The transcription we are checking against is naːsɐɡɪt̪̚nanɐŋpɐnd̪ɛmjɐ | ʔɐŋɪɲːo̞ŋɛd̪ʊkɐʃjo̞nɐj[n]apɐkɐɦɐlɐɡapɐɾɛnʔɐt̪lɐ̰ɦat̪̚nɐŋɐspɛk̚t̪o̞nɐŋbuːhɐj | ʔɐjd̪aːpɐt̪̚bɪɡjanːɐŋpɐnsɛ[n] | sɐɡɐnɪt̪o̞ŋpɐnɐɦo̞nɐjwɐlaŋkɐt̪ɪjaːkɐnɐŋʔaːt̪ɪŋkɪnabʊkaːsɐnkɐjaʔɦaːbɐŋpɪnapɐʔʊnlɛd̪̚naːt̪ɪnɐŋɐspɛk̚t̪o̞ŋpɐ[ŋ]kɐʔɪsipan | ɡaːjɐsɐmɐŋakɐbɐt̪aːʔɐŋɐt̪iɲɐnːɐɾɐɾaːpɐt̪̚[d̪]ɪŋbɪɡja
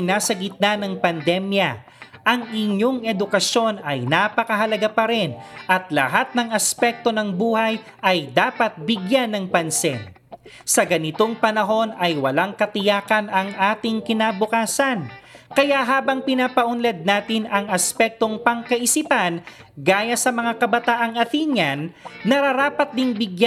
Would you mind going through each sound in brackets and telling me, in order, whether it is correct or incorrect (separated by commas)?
correct, correct, correct, correct